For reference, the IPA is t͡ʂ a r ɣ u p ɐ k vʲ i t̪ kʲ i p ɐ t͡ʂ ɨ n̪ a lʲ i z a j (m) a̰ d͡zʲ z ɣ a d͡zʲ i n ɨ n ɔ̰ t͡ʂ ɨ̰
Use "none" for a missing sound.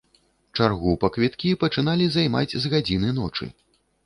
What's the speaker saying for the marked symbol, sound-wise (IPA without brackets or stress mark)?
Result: m